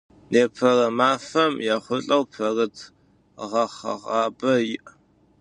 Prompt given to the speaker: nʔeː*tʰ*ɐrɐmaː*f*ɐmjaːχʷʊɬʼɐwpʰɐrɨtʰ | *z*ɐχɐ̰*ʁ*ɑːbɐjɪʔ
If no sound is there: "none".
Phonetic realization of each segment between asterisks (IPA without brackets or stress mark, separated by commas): pʰ, f, ʁ, ʁ